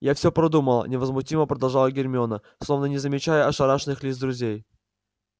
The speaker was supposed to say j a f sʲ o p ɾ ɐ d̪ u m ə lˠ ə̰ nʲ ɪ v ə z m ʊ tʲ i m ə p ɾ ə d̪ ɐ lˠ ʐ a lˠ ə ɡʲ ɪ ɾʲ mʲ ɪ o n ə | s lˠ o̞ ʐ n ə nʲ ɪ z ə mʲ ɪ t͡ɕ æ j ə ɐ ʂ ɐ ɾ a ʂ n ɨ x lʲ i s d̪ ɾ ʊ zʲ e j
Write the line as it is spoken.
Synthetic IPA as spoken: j a f sʲ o p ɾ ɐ d̪ u m ə lˠ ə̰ nʲ ɪ v ə z m ʊ tʲ i m ə p ɾ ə d̪ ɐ lˠ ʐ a lˠ ə ɡʲ ɪ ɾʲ mʲ ɪ o n ə | s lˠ o̞ v n ə nʲ ɪ z ə mʲ ɪ t͡ɕ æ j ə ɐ ʂ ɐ ɾ a ʂ n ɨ x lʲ i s d̪ ɾ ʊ zʲ e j